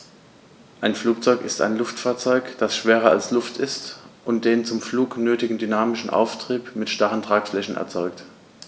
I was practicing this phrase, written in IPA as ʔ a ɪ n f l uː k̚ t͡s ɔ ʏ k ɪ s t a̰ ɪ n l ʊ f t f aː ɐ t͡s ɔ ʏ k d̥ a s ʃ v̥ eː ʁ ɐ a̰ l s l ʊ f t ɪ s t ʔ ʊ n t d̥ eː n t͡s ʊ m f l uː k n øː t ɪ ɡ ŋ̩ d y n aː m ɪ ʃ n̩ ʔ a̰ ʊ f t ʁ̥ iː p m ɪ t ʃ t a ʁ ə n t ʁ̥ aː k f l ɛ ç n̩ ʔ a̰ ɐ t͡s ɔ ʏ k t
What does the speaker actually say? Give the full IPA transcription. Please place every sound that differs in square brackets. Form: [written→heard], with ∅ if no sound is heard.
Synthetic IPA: ʔ a ɪ n f l uː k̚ t͡s ɔ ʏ k ɪ s t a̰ ɪ n l ʊ f t f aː ɐ t͡s ɔ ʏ k d̥ a s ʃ v̥ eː ʁ ɐ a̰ l s l ʊ f t ɪ s t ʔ ʊ n t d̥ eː n t͡s ʊ m f l uː k n øː t ɪ ɡ ŋ̩ d y n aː m ɪ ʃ n̩ ʔ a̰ ʊ f t ʁ̥ iː p m ɪ t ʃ t a ʁ ə n t ʁ̥ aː k f l ɛ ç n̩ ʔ [a̰→ɛ̰] ɐ t͡s ɔ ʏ k t